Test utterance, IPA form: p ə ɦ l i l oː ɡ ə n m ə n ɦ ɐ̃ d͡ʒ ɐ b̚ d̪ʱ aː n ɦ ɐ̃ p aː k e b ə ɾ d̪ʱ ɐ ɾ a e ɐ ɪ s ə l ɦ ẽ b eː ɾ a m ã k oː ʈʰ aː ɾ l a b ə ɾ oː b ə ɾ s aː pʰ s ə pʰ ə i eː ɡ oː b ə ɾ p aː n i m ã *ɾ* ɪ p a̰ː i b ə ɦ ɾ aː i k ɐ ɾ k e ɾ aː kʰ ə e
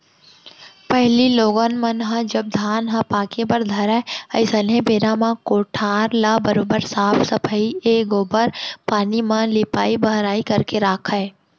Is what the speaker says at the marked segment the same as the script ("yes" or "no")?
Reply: no